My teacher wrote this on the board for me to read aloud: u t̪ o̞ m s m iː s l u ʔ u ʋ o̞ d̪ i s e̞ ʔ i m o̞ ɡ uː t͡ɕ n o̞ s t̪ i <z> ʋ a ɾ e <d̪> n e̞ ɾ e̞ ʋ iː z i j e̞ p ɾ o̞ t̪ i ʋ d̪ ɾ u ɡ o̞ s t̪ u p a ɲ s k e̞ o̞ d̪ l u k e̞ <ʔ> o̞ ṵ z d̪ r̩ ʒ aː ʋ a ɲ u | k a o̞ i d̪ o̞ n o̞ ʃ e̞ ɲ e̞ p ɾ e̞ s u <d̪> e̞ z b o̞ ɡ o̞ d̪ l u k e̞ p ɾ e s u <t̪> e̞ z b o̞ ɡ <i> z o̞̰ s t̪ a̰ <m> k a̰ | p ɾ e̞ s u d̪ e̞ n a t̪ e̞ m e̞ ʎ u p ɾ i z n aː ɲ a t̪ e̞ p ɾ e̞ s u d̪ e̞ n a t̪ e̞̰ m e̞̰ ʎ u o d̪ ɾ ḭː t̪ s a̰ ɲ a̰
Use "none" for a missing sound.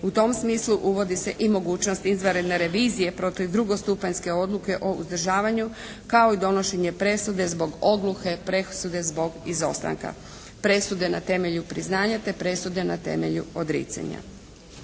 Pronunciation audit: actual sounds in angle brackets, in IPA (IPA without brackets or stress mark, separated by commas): z, d̪, ʔ, d̪, d̪, i, ŋ